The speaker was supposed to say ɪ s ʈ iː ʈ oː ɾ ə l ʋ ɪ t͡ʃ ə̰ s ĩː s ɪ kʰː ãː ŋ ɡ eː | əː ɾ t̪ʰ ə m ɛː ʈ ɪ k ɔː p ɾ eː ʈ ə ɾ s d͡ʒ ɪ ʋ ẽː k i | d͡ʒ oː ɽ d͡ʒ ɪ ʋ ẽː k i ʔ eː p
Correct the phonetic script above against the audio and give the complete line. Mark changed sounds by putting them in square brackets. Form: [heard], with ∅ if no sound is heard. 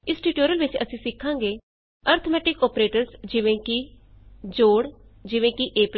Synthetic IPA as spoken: ɪ s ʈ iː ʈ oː ɾ ə l ʋ ɪ t͡ʃ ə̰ s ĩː s ɪ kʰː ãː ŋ ɡ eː | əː ɾ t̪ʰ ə m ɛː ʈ ɪ k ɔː p ɾ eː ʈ ə ɾ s d͡ʒ ɪ ʋ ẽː k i | d͡ʒ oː ɽ d͡ʒ ɪ ʋ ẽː k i ʔ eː p